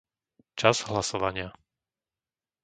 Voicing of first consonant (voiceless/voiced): voiceless